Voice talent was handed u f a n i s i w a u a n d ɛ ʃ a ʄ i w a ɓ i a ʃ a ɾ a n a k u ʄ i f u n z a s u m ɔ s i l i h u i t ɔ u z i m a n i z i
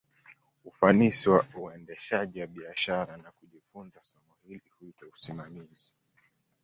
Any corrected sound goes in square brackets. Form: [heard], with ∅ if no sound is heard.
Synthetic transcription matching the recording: u f a n i s i w a u [ɛ] n d ɛ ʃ a ʄ i w a ɓ i a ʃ a ɾ a n a k u ʄ i f u n z a s [ɔ] m ɔ [h] i l i h u i t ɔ u [s] i m a [m] i z i